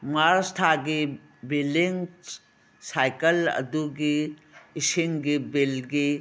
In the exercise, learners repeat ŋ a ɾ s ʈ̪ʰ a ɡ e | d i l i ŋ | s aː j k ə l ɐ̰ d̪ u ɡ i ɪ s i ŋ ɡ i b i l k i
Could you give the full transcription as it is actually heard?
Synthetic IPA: m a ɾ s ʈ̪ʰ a ɡ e | b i l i ŋ | s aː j k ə l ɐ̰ d̪ u ɡ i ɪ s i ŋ ɡ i b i l ɡ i